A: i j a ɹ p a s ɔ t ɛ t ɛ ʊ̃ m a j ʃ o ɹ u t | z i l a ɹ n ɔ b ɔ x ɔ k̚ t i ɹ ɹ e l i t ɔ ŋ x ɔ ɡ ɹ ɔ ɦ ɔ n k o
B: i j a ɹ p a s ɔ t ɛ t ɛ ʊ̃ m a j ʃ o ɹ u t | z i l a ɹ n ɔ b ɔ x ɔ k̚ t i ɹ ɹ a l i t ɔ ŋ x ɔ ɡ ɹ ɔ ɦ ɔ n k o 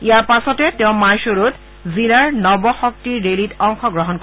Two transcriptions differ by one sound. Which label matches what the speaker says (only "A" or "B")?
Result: A